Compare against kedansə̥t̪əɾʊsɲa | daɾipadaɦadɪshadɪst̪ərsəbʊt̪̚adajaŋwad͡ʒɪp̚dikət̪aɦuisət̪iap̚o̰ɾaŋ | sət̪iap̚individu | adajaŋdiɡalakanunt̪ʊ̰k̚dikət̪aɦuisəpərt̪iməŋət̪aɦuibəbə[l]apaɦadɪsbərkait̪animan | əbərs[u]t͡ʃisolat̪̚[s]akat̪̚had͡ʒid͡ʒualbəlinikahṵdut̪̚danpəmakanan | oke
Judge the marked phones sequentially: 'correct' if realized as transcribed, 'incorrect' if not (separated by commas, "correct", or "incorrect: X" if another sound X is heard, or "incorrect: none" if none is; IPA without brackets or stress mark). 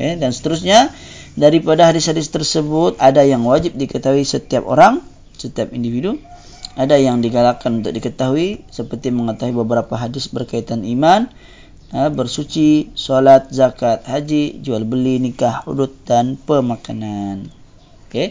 incorrect: ɾ, correct, incorrect: z